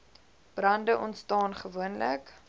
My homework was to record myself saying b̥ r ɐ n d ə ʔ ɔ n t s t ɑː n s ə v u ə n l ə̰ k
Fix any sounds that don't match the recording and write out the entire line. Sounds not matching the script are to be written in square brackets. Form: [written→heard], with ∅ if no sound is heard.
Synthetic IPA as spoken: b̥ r ɐ n d ə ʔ ɔ n t s t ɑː n [s→χ] ə v u ə n l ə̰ k

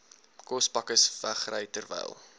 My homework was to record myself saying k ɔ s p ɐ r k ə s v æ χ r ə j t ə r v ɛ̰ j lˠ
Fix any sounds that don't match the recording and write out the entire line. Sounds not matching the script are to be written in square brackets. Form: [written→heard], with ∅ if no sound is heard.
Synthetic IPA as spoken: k ɔ s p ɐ [r→∅] k ə s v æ χ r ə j t ə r v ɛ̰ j lˠ

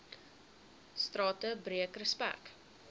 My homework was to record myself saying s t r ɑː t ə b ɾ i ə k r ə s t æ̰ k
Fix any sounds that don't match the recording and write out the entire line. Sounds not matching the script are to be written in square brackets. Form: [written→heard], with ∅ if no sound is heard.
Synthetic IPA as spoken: s t r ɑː t ə b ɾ i ə k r ə s [t→p] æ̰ k

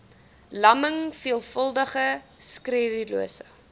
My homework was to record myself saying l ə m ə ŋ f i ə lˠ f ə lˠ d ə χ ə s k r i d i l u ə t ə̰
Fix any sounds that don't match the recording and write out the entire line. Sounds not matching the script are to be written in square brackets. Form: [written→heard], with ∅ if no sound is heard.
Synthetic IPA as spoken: l [ə→ɐ] m ə ŋ f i ə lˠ f ə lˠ d ə χ ə s k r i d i l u ə [t→s] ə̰

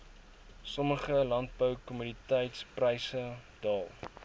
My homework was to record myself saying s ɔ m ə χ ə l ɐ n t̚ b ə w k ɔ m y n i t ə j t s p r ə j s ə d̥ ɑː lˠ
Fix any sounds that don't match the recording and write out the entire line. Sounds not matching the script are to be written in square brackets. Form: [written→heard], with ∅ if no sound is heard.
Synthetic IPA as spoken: s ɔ m ə χ ə l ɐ n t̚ b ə w k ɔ m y n i t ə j t s p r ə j s ə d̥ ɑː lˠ

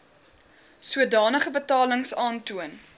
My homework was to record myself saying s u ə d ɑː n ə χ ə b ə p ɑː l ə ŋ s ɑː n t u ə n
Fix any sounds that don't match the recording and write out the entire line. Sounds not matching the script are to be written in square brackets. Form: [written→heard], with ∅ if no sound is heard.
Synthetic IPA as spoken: s u ə d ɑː n ə χ ə b ə [p→t] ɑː l ə ŋ s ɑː n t u ə n

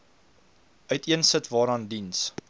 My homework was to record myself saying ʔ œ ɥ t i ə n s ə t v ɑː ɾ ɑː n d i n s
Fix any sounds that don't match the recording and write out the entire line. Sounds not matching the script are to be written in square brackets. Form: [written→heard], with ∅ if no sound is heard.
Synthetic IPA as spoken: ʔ œ ɥ t i ə n s ə t v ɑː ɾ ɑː n d i n s

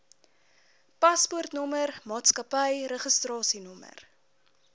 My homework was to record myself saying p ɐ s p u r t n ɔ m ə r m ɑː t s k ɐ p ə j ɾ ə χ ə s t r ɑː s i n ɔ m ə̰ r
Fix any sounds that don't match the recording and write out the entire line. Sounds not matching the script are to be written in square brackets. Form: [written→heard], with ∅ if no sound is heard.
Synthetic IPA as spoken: p ɐ s p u r t n ɔ m ə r m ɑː t s k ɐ p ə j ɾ ə χ ə s t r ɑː s i n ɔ m ə̰ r

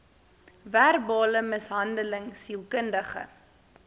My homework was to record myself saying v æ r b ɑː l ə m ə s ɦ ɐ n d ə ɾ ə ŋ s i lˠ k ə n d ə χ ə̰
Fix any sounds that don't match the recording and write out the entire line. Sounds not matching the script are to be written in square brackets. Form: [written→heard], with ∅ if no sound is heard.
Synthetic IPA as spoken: v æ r b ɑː l ə m ə s ɦ ɐ n d ə [ɾ→l] ə ŋ s i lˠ k ə n d ə χ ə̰

